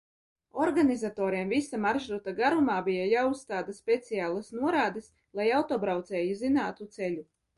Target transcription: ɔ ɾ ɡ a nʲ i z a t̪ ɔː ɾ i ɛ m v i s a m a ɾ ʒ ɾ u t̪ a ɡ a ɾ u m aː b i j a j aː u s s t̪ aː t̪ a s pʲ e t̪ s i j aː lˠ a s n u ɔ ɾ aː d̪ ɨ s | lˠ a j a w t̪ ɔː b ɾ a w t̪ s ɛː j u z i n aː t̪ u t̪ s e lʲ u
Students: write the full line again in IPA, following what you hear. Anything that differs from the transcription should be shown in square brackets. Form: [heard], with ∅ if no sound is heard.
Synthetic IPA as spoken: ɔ ɾ ɡ a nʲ i z a t̪ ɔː ɾ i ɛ m v i s a m a ɾ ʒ ɾ u t̪ a ɡ a ɾ u m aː b i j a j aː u s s t̪ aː [d̪] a s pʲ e t̪ s i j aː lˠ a s n u ɔ ɾ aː d̪ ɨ s | lˠ a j a w t̪ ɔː b ɾ a w t̪ s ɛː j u z i n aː t̪ u t̪ s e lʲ u